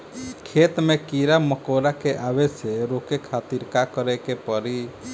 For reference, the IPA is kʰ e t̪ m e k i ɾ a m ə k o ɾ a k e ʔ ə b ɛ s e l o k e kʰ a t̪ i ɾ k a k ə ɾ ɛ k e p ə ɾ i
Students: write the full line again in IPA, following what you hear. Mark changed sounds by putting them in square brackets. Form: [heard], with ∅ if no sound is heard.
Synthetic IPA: kʰ e t̪ m e k i ɾ a m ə k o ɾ a k e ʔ [a] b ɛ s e [ɾ] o k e kʰ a t̪ i ɾ k a k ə ɾ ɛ k e p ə ɾ i